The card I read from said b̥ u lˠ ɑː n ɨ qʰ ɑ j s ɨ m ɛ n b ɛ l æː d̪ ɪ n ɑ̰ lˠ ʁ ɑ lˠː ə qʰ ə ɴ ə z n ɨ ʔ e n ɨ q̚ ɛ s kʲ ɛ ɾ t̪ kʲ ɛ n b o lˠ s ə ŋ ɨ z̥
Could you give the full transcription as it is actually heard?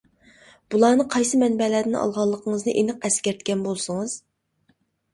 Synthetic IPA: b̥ u lˠ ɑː n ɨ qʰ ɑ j s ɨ m ɛ n b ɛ l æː d̪ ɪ n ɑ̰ lˠ ʁ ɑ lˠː ə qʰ ə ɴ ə z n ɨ ʔ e n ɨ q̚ ɛ s kʲ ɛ ɾ t̪ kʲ ɛ n b o lˠ s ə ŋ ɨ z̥